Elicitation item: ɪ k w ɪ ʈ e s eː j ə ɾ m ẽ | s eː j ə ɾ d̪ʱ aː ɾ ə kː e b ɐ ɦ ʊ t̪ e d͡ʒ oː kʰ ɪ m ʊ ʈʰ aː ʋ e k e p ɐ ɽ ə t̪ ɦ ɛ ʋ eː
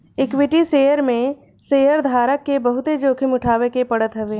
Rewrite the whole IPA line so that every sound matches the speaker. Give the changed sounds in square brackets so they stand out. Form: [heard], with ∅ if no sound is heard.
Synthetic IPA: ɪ k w ɪ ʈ [i] s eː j ə ɾ m ẽ | s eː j ə ɾ d̪ʱ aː ɾ ə kː e b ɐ ɦ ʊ t̪ e d͡ʒ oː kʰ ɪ m ʊ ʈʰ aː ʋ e k e p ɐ ɽ ə t̪ ɦ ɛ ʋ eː